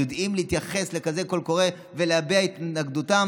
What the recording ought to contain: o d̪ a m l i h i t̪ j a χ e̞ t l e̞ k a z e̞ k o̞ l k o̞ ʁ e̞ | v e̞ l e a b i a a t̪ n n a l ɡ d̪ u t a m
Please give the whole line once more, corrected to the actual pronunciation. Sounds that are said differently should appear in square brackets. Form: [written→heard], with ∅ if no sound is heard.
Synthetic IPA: o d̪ [a→i] m l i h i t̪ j a χ e̞ [t→s] l e̞ k a z e̞ k o̞ l k o̞ ʁ e̞ | v e̞ l e a b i a [a→i] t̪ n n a [l→∅] ɡ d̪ u t a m